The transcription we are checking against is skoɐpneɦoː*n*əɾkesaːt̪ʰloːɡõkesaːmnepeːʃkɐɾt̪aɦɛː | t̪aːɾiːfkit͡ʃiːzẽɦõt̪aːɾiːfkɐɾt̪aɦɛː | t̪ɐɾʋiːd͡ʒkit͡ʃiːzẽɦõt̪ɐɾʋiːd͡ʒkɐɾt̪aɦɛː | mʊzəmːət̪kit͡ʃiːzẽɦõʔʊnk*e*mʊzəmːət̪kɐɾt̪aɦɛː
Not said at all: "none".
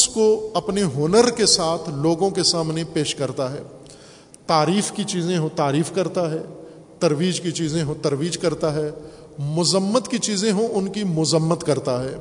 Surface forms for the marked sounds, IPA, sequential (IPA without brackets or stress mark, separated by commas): n, i